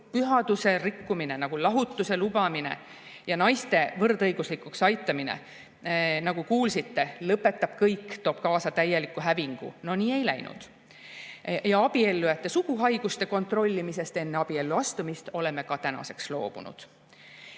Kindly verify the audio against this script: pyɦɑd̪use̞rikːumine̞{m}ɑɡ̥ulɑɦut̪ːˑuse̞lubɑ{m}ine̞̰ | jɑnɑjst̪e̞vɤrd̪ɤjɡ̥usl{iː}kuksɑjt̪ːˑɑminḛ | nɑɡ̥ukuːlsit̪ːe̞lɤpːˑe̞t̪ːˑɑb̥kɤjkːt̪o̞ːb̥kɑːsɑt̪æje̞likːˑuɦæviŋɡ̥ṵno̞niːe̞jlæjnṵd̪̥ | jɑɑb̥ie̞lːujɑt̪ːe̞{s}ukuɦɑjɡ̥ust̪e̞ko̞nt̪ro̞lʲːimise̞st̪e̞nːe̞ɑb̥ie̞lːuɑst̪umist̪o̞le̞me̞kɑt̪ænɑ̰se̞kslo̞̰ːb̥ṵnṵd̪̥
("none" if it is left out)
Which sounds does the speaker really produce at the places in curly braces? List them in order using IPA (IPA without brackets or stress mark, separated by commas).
n, m, i, s